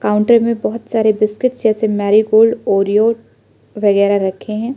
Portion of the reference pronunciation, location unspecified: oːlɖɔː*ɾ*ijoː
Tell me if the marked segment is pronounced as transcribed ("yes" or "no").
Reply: yes